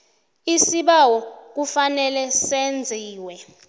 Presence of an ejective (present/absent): absent